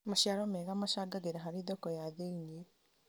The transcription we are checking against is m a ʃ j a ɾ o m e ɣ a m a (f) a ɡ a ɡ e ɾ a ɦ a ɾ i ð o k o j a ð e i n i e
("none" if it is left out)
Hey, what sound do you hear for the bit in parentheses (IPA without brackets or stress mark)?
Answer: ʃ